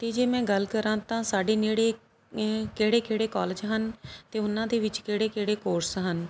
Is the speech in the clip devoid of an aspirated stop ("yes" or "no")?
yes